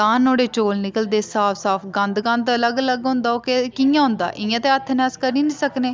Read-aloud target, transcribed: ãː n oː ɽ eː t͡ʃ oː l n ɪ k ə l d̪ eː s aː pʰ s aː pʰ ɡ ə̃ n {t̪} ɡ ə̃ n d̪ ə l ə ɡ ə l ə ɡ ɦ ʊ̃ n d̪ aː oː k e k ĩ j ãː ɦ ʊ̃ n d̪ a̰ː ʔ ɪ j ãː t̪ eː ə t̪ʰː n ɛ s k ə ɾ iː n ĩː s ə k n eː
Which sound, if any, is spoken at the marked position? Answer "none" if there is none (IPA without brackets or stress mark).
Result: d̪